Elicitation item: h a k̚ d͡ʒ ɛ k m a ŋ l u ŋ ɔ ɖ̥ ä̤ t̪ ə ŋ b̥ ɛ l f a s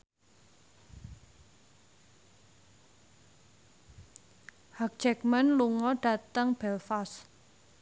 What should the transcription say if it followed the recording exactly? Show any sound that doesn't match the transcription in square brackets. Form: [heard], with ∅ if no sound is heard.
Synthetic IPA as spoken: h a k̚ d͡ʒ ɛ k m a [n] l u ŋ ɔ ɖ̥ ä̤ t̪ ə ŋ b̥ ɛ l f a s